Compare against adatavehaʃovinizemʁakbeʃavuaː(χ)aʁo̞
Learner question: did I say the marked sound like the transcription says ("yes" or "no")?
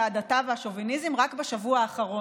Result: yes